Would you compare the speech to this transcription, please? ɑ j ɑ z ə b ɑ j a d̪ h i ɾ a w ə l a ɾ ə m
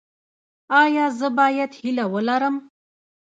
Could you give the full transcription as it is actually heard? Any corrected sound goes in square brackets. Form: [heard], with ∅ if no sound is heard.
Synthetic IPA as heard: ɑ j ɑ z ə b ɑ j a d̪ h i [l] a w ə l a ɾ ə m